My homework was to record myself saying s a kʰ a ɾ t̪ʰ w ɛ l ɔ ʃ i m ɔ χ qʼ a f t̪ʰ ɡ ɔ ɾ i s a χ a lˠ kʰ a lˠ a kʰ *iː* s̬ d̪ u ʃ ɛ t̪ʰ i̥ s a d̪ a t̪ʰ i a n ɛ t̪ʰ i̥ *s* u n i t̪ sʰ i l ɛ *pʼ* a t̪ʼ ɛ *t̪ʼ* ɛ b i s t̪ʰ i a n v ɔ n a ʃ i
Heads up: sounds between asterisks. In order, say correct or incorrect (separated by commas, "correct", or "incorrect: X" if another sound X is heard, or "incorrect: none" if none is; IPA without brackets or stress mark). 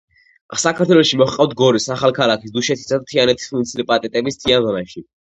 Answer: incorrect: i, correct, correct, correct